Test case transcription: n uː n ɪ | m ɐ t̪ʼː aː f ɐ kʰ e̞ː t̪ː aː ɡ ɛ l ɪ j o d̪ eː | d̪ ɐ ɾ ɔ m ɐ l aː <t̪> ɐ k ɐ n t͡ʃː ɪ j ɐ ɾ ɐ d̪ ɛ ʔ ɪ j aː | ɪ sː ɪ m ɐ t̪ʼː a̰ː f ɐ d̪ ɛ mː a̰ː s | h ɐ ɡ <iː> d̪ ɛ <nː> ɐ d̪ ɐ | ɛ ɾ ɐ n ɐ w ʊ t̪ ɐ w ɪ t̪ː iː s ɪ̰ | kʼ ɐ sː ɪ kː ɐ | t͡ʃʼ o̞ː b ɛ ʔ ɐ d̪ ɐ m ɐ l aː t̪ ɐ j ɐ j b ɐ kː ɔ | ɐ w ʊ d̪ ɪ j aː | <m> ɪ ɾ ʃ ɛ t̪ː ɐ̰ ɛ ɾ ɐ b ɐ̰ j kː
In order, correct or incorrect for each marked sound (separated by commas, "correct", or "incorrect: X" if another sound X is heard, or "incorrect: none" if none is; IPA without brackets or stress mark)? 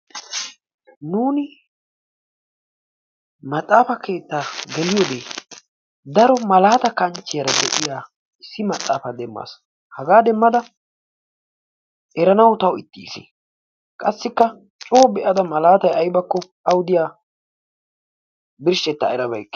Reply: correct, incorrect: aː, incorrect: mː, incorrect: b